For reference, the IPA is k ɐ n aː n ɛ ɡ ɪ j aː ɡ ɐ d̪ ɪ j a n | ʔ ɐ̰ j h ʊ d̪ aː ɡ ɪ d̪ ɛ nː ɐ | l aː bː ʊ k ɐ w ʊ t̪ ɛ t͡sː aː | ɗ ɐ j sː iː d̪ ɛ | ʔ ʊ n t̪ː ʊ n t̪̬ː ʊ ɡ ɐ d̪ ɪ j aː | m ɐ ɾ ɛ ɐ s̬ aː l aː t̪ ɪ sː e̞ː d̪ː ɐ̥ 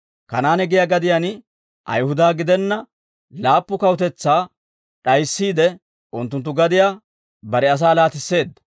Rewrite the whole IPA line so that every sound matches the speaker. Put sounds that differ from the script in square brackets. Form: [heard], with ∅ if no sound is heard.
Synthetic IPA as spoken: k ɐ n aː n ɛ ɡ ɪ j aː ɡ ɐ d̪ ɪ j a n | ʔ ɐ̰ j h ʊ d̪ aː ɡ ɪ d̪ ɛ nː ɐ | l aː [pː] ʊ k ɐ w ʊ t̪ ɛ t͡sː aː | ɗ ɐ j sː iː d̪ ɛ | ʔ ʊ n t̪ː ʊ n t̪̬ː ʊ ɡ ɐ d̪ ɪ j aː | [b] ɐ ɾ ɛ ɐ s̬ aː l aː t̪ ɪ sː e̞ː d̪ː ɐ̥